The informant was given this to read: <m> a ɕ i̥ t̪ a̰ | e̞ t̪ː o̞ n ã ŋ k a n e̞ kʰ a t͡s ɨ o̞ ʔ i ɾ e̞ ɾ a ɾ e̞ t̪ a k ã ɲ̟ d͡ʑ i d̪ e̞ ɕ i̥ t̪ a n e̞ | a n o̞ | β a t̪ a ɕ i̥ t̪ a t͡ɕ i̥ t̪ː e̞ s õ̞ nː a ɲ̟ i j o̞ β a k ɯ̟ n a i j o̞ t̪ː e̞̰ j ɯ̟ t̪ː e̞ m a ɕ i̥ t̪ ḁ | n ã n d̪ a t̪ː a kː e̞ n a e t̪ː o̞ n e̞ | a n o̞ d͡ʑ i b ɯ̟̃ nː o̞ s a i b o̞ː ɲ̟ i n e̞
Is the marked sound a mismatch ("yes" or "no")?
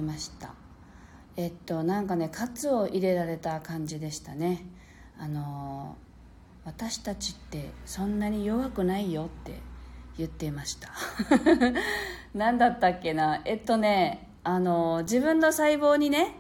no